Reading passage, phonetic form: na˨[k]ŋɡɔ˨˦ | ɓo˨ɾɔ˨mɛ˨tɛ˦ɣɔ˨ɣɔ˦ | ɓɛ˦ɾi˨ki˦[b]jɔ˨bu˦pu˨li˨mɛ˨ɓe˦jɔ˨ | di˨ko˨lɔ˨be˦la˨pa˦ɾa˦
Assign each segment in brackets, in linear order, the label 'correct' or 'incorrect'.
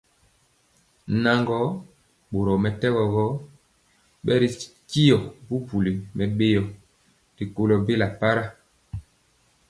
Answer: incorrect: none, incorrect: none

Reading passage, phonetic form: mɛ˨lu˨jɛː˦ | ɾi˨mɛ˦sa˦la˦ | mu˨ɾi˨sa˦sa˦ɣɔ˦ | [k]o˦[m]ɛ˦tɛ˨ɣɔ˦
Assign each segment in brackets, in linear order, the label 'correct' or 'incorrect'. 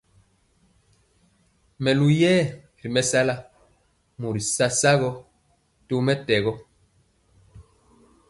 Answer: incorrect: t, correct

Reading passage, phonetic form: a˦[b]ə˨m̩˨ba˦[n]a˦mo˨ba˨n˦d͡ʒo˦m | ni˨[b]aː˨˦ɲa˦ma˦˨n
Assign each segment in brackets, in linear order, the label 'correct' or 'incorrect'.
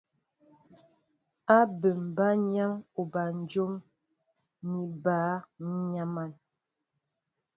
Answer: correct, incorrect: ɲ, correct

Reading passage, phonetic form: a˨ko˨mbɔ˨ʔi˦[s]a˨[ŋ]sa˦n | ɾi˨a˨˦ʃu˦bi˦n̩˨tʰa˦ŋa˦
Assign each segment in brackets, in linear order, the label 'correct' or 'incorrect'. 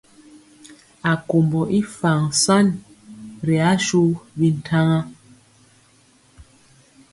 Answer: incorrect: f, correct

